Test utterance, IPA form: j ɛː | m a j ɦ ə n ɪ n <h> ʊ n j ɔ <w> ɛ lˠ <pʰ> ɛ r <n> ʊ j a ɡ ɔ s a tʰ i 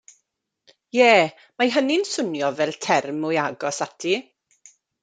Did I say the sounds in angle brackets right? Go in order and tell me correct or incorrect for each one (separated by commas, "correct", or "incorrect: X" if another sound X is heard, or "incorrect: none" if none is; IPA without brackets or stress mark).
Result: incorrect: s, incorrect: v, incorrect: tʰ, incorrect: m